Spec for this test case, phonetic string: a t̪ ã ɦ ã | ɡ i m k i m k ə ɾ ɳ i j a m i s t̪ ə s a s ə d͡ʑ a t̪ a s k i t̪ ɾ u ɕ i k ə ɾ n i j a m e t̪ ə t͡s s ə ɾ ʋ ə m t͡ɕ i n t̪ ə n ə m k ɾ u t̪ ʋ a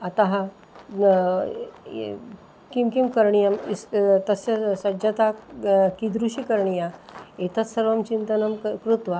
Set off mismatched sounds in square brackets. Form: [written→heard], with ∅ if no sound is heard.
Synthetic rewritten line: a t̪ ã ɦ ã | [ɡ→k] i m k i m k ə ɾ ɳ i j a m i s t̪ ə s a s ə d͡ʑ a t̪ a [s→∅] k i [t̪→d̪] ɾ u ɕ i k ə ɾ [n→ɳ] i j a [m→∅] e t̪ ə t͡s s ə ɾ ʋ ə m t͡ɕ i n t̪ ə n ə m k ɾ u t̪ ʋ a